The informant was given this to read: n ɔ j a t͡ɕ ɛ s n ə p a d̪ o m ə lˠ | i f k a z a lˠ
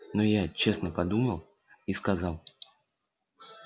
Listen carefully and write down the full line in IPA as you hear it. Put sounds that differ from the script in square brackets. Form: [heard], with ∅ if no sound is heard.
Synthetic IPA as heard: n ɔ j a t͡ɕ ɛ s n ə p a d̪ [u] m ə lˠ | i [s] k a z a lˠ